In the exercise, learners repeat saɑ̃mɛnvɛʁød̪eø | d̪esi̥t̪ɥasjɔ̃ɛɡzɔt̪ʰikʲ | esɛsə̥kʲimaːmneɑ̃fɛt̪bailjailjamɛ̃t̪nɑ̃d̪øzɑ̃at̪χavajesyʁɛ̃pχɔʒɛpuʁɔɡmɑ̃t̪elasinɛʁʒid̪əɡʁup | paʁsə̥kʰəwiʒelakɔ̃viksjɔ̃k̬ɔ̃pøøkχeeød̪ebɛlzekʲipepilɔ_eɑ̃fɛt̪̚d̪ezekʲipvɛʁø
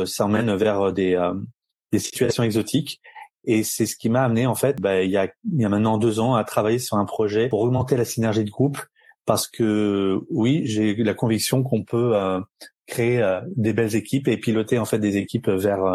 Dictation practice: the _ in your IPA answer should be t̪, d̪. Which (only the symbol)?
t̪